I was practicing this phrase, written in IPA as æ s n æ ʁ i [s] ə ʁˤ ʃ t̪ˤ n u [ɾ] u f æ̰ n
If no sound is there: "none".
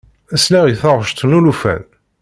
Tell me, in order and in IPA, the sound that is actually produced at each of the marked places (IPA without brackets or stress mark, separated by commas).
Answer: θ, l